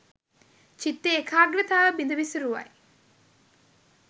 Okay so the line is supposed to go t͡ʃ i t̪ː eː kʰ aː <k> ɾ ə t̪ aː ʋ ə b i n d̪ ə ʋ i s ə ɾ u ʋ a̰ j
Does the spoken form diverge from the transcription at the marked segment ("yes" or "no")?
yes